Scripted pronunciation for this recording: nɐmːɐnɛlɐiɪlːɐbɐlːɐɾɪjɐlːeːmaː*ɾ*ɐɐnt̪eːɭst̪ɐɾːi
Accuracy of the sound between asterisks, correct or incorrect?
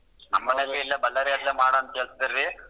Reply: incorrect